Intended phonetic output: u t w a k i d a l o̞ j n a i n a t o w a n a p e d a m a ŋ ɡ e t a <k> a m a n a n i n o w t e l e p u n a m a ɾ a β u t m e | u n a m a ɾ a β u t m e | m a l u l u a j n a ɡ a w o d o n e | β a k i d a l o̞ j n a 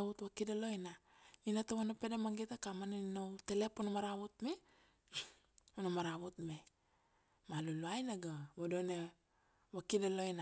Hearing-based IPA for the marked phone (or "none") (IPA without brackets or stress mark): k